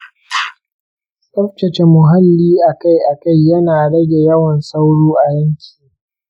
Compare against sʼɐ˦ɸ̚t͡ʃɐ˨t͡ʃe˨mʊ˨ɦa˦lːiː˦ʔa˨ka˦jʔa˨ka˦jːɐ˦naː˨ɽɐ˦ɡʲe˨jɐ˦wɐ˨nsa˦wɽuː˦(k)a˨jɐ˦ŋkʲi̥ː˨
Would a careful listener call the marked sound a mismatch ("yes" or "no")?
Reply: yes